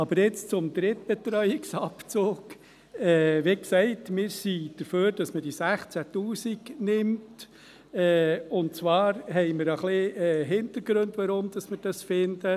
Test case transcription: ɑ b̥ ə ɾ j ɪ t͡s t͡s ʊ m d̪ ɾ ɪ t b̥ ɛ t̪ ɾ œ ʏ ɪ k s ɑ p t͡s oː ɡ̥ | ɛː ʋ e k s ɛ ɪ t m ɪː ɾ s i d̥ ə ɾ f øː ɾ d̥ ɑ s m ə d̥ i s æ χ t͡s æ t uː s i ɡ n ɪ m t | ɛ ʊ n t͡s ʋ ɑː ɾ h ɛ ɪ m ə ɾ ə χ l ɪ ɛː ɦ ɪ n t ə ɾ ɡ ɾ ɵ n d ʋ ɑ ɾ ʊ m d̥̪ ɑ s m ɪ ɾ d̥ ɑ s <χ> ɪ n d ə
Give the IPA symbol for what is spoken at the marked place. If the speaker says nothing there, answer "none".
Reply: f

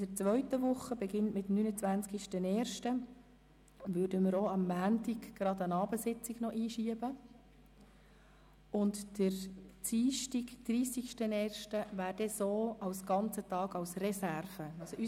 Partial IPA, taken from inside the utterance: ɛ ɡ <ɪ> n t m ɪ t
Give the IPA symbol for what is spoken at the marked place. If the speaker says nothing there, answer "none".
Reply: ɪ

